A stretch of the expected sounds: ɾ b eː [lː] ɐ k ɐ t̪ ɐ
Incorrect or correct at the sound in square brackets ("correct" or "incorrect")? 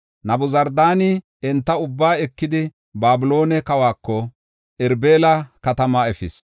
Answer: incorrect